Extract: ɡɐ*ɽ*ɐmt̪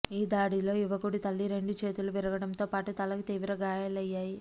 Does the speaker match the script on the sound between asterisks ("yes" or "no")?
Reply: yes